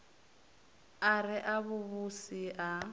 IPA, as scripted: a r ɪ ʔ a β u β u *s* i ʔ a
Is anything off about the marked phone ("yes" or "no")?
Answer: no